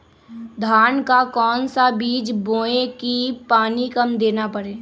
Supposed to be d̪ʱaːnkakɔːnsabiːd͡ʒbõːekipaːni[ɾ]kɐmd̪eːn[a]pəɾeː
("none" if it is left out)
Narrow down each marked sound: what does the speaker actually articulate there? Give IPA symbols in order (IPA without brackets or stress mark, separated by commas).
none, a